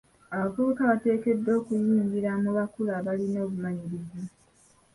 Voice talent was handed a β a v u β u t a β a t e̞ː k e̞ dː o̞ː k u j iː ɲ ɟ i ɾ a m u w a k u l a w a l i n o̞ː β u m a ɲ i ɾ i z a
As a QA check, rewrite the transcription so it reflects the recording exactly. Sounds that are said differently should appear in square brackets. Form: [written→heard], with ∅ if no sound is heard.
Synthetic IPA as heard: a β a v u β u [t→k] a β a t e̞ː k e̞ dː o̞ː k u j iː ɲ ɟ i ɾ a m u [w→β] a k u l a [w→β] a l i n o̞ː β u m a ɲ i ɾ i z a